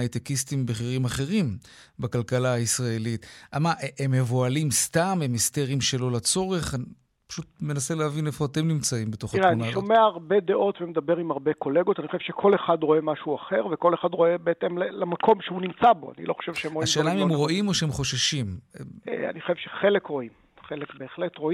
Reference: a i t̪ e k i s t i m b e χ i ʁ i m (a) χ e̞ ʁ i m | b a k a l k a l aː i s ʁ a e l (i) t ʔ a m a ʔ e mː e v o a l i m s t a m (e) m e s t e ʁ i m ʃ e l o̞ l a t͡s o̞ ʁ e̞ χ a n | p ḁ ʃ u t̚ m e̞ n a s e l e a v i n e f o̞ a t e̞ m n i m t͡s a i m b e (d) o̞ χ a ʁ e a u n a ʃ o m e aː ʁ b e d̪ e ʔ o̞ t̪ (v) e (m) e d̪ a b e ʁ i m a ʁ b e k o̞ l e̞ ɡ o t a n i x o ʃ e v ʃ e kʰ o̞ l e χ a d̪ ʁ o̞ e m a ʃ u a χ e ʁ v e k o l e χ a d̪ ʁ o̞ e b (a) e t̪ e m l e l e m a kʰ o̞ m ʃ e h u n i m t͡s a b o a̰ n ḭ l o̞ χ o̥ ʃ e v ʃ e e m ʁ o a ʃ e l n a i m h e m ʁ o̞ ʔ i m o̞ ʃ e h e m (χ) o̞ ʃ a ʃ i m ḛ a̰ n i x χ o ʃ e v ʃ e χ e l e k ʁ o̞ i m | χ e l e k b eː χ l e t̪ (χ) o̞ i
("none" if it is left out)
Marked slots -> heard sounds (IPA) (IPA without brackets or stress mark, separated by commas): a, i, e, t, v, m, e, χ, ʁ